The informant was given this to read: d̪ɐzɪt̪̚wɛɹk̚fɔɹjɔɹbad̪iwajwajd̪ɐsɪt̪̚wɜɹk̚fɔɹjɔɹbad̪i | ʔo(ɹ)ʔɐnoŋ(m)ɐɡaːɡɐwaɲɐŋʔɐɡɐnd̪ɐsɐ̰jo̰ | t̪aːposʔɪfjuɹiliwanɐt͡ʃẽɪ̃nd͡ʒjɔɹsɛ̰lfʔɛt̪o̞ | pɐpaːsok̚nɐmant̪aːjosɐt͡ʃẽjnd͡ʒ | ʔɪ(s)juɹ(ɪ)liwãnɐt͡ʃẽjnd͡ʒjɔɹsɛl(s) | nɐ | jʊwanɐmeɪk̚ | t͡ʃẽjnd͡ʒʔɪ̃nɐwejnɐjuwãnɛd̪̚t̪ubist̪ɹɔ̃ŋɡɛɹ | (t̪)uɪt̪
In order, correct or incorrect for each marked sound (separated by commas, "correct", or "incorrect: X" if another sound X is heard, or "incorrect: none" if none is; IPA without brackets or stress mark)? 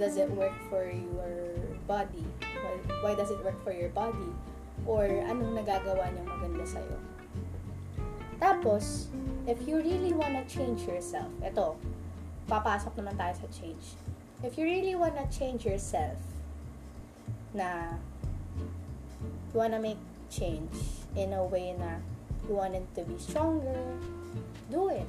correct, incorrect: n, incorrect: f, incorrect: i, incorrect: f, incorrect: d̪